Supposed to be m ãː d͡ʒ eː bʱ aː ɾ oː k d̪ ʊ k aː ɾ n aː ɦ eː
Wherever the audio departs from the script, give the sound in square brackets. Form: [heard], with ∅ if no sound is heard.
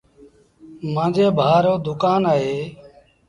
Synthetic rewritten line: m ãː d͡ʒ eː bʱ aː ɾ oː [∅] d̪ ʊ k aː [∅] n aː ɦ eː